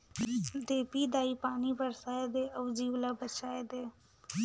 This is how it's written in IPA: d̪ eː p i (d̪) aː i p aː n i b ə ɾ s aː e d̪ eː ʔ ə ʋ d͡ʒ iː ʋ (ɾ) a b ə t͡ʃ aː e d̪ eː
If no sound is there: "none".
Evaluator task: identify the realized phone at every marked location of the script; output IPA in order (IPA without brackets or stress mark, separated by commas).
d̪, l